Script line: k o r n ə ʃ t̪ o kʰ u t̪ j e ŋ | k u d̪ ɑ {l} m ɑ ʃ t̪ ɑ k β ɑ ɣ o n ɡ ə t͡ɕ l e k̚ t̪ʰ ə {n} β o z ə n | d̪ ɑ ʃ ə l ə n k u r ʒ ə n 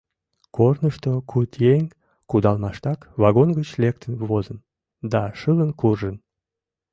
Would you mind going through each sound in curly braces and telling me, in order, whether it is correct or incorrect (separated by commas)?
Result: correct, correct